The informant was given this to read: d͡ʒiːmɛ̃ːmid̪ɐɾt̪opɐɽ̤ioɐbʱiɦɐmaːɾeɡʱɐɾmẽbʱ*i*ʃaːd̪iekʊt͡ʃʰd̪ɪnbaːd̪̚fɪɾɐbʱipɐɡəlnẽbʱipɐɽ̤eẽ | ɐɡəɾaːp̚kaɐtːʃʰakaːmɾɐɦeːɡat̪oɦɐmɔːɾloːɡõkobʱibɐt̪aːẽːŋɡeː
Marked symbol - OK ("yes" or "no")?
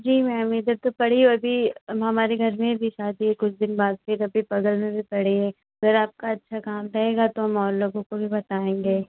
yes